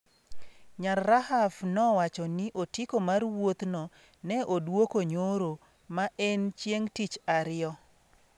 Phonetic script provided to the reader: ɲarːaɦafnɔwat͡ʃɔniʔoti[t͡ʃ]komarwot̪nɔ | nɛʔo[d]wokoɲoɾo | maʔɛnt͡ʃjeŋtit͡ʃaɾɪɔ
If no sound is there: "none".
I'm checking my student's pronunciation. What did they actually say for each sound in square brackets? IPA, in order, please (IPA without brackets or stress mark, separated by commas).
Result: none, d